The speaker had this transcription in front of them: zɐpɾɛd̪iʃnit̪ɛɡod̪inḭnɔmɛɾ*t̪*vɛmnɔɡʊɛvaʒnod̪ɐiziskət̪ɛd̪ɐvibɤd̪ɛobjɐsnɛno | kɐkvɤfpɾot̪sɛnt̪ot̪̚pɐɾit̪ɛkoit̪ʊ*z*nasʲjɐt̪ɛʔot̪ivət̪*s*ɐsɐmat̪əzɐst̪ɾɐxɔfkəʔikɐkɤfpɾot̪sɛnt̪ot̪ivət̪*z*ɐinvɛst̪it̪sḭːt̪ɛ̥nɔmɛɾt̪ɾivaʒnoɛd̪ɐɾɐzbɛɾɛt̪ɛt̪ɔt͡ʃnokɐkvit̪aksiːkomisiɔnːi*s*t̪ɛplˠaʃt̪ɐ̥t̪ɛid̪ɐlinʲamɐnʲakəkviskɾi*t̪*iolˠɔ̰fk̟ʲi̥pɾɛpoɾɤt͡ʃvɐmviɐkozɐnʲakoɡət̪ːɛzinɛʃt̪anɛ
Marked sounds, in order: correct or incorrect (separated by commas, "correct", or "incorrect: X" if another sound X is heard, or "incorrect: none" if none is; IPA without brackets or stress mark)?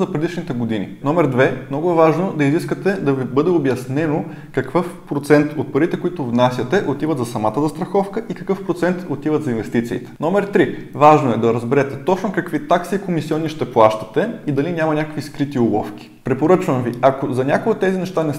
incorrect: d̪, incorrect: v, incorrect: z, correct, incorrect: ʃ, correct